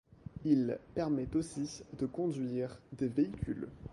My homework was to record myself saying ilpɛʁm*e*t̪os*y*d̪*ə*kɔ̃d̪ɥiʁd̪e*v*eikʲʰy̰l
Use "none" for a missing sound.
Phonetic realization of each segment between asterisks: ɛ, i, ə, v

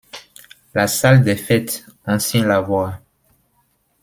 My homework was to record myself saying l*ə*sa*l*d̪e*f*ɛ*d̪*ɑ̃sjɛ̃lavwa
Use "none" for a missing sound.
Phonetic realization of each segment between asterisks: a, l, f, t̪

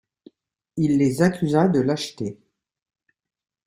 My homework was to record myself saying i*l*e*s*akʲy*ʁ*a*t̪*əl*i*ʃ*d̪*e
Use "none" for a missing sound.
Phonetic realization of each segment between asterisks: lː, z, z, d̪, a, t̪

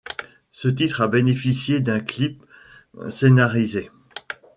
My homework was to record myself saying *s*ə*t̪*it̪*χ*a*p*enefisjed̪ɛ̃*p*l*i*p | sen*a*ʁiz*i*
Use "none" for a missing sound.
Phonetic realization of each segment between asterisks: s, t̪, χ, b, k, i, a, e

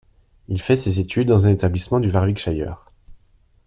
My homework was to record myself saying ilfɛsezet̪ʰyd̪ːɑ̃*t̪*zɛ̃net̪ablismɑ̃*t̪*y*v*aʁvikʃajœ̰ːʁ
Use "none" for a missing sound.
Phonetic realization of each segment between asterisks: none, d̪, v

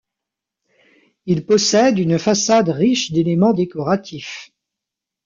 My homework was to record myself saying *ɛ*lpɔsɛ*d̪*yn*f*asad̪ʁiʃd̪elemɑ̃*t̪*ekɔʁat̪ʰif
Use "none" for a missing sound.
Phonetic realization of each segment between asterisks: i, d̪, f, d̪

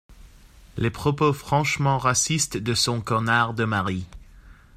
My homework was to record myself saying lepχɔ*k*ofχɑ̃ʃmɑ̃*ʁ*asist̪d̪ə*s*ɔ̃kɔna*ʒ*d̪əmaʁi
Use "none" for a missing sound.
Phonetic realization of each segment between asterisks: p, ʁ, s, ʁ

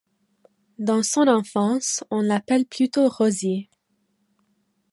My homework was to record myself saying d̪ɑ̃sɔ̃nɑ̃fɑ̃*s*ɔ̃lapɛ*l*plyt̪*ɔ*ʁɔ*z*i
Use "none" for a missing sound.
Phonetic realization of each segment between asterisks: s, l, o, z

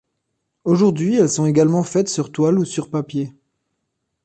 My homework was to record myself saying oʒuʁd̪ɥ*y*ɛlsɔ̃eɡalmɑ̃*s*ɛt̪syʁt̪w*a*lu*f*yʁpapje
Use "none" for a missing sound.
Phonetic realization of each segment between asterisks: i, f, a, s

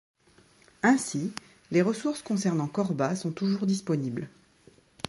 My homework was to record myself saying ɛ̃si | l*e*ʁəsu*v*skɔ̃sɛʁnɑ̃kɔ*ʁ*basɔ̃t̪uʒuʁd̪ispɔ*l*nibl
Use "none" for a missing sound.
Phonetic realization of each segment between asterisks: e, ʁ, ʁ, none

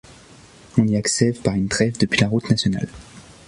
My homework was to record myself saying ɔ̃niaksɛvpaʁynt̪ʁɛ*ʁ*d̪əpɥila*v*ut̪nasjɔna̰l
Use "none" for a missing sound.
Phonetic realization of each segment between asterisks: v, ʁ

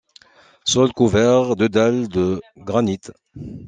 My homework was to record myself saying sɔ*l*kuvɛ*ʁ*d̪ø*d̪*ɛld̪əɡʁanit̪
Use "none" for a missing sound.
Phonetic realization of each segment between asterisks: l, ʁ, d̪

